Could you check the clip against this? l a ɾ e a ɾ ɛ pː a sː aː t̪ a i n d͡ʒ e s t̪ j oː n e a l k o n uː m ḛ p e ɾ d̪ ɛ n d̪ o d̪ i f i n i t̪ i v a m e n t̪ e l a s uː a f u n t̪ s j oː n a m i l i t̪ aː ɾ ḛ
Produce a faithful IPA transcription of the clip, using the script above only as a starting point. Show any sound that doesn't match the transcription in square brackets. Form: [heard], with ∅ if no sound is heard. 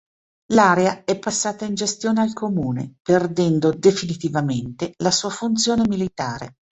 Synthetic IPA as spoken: l a ɾ e a [∅] ɛ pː a sː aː t̪ a i n d͡ʒ e s t̪ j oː n e a l k o [m] uː [n] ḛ p e [r] d̪ ɛ n d̪ o d̪ [e] f i n i t̪ i v a m e n t̪ e l a s uː a f u n t̪ s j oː n [e] m i l i t̪ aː ɾ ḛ